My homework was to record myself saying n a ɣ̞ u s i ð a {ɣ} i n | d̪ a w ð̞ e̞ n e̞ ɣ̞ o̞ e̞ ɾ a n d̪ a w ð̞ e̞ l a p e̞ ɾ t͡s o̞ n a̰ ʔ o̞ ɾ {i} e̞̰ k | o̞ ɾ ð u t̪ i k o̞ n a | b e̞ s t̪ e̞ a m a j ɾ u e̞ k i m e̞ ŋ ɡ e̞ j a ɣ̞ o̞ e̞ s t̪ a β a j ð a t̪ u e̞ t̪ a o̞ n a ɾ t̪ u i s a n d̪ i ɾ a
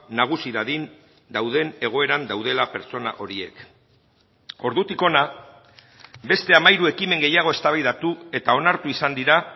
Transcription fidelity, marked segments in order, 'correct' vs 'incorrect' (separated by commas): incorrect, correct